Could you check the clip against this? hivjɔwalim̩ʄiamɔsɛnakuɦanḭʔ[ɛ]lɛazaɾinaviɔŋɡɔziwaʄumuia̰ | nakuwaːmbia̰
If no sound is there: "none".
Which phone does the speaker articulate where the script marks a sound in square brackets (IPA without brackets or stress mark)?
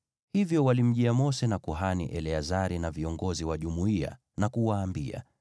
ɛ